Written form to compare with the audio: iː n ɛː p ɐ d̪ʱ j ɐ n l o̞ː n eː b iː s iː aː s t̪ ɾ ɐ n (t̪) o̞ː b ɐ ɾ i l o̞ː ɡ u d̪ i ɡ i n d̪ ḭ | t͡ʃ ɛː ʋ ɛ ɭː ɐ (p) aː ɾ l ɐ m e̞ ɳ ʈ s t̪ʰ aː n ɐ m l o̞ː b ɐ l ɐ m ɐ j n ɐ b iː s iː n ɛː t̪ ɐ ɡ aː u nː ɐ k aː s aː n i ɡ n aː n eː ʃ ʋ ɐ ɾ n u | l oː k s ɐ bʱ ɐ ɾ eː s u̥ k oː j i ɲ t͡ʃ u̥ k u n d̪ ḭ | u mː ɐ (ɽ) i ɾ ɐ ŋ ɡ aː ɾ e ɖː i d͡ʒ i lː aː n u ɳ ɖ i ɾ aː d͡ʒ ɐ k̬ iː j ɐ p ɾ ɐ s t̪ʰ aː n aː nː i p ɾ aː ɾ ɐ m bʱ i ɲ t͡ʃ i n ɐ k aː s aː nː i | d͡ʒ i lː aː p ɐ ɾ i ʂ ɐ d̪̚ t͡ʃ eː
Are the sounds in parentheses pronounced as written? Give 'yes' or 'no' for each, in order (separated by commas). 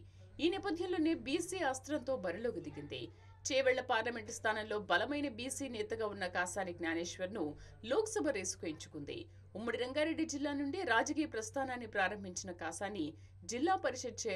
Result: yes, yes, yes